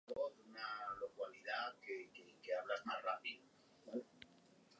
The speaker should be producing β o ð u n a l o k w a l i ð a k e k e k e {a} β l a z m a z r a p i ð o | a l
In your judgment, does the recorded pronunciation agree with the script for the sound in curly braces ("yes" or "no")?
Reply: yes